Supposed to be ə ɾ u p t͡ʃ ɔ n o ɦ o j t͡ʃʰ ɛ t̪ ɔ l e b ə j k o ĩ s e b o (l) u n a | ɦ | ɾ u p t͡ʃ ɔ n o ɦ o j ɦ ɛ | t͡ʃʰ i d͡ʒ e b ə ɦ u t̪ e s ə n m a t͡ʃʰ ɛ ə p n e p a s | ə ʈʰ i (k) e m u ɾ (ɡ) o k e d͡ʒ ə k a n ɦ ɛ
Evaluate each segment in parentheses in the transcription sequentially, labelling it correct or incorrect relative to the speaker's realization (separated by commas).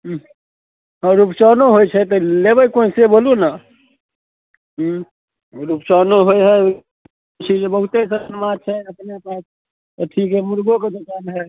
correct, correct, correct